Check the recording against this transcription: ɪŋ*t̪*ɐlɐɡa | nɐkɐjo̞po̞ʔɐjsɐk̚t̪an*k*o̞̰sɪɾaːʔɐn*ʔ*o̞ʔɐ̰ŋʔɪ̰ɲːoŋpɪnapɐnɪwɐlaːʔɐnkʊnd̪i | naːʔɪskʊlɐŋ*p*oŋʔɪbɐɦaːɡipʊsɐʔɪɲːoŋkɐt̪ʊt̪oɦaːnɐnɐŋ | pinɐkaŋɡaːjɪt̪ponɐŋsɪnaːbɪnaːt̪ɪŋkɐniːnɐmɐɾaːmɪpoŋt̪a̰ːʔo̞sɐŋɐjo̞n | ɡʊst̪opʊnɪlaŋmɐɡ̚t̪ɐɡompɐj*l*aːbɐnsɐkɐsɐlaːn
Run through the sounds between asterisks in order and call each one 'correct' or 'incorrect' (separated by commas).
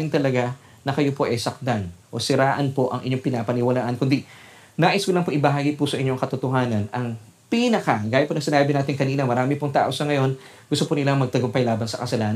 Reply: correct, incorrect, incorrect, correct, correct